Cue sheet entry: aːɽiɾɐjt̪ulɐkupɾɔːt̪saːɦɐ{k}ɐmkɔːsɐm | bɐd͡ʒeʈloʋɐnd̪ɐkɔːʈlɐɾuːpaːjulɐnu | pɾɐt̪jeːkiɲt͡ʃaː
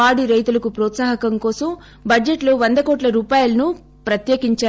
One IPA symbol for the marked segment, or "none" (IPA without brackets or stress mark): k